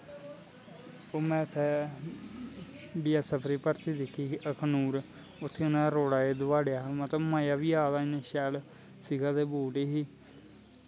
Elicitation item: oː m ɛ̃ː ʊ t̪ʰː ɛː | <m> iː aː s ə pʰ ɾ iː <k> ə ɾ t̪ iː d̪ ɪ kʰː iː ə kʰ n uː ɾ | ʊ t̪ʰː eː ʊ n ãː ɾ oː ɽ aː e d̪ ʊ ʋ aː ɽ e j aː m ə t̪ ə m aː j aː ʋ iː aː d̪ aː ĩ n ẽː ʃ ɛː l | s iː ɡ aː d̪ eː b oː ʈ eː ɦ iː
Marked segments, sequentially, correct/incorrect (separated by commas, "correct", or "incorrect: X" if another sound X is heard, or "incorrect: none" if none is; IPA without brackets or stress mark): incorrect: b, incorrect: p